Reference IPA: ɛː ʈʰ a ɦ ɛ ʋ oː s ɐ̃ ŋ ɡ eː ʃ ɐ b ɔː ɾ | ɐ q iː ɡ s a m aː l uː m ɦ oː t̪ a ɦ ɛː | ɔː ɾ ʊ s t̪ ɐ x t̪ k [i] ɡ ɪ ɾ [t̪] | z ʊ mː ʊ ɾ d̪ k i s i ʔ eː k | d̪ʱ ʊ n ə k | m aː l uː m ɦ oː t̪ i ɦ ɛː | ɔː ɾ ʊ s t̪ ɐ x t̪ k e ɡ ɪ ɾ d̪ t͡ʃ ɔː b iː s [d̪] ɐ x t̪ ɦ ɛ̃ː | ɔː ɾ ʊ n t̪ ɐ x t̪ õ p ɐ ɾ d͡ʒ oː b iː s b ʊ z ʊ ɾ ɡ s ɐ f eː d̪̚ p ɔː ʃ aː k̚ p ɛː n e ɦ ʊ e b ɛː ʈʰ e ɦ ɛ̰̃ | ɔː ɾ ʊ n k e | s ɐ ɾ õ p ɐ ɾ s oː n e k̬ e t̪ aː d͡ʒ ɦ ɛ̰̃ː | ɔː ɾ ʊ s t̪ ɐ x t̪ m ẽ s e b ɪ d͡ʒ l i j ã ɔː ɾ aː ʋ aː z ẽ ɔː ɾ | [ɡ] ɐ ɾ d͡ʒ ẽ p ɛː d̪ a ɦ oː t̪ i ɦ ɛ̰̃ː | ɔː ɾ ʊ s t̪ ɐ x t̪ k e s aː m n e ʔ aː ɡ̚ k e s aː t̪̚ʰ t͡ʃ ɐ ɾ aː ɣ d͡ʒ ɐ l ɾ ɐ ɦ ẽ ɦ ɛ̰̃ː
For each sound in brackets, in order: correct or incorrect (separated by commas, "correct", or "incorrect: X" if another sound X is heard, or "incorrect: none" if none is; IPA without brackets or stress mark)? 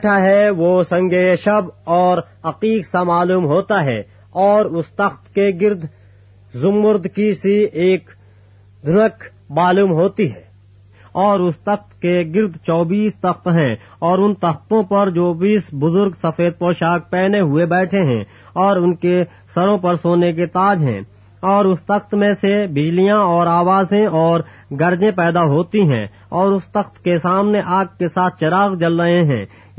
incorrect: e, incorrect: d̪, incorrect: t̪, correct